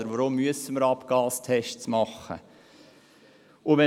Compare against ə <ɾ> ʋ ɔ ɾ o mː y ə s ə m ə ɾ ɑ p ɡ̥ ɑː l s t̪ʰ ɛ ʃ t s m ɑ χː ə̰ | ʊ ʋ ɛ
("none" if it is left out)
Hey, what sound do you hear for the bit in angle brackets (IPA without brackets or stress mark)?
ɾ